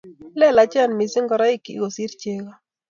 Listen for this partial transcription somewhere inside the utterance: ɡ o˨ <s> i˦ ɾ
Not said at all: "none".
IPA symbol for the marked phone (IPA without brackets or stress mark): s